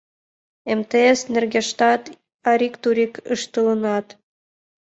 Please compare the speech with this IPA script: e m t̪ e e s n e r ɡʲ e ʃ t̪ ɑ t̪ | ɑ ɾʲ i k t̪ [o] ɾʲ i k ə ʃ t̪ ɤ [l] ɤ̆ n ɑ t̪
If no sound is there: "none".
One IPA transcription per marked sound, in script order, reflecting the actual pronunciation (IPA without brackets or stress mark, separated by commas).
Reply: u, l